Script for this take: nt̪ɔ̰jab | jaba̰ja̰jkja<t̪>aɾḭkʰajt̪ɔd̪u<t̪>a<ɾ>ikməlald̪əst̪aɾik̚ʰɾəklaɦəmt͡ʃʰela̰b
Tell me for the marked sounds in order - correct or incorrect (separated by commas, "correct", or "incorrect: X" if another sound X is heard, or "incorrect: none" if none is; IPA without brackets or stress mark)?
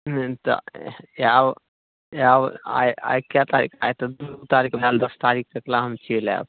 correct, correct, correct